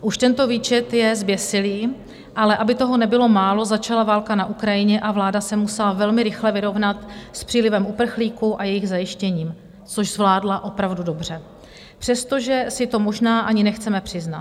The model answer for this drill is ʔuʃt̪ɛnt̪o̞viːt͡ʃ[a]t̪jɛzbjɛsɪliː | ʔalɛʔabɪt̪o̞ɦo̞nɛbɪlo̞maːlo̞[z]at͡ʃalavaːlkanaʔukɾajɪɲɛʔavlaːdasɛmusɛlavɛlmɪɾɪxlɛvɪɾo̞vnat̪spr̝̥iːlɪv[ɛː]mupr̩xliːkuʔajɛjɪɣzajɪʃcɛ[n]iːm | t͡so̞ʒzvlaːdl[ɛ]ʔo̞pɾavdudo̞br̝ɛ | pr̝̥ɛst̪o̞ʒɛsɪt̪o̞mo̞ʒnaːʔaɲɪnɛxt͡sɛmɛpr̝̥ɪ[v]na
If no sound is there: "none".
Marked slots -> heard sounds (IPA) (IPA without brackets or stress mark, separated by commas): ɛ, z, ɛ, ɲ, a, z